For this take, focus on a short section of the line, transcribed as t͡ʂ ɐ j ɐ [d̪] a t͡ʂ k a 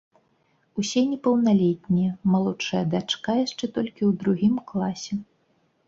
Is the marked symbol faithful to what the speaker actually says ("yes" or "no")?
yes